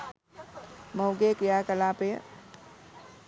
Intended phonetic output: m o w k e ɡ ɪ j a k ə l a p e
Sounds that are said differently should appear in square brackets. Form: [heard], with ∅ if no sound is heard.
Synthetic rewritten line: m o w [ɡ] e [k] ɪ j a k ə l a p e